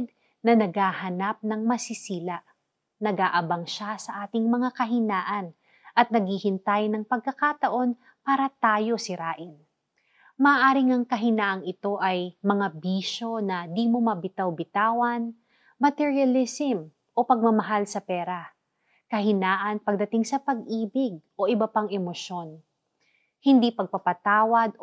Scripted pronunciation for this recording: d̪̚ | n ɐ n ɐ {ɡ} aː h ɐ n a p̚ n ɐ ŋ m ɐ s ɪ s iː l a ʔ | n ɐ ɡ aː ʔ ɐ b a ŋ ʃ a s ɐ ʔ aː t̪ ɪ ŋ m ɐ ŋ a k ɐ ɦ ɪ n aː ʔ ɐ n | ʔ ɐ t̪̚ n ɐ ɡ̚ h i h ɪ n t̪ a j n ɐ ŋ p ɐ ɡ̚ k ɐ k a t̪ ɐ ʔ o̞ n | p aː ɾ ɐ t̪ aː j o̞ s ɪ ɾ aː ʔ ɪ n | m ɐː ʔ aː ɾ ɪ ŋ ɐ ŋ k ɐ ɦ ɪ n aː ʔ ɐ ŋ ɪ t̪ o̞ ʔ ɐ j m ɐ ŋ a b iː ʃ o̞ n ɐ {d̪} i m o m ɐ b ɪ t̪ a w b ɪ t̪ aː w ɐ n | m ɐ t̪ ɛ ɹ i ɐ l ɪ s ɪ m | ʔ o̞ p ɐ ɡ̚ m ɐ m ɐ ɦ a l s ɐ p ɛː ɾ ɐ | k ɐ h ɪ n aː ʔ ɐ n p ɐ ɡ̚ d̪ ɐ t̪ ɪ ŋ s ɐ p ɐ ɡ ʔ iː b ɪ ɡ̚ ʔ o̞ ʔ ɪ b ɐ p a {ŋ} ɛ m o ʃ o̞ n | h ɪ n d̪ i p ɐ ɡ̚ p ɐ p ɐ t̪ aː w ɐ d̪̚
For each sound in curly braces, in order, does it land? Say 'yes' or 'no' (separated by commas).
yes, yes, yes